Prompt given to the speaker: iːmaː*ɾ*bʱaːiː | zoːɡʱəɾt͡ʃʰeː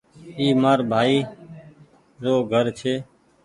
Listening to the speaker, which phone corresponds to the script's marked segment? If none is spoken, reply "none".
ɾ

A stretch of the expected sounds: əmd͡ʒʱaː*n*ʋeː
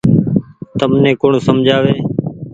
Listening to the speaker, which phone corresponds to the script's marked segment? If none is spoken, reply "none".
none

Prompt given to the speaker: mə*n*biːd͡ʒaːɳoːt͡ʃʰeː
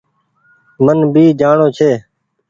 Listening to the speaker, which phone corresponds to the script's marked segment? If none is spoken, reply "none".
n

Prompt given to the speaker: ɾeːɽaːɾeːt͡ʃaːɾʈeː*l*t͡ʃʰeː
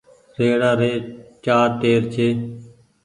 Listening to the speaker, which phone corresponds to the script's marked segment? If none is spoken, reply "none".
ɾ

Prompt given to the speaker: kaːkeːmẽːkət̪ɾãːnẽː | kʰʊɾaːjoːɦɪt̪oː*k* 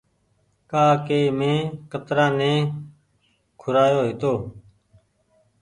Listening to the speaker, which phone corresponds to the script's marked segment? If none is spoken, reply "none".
none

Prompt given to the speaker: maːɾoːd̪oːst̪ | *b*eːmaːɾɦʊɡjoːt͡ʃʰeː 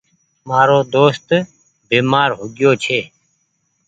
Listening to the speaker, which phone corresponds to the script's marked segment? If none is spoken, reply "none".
b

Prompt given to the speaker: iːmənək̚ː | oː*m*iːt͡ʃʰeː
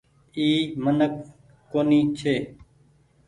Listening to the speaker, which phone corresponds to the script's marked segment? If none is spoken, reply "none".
n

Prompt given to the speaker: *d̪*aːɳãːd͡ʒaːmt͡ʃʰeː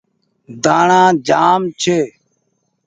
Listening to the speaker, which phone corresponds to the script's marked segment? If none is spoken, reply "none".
d̪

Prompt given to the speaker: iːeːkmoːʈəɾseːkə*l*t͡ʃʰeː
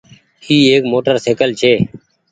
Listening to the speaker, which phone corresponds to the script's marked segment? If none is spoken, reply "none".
l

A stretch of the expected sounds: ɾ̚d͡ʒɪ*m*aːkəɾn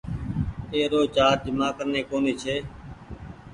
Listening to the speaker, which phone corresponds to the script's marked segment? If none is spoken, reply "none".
m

